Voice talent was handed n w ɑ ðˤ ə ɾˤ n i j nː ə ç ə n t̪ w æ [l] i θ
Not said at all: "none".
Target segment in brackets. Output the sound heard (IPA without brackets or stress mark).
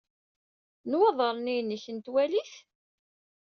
l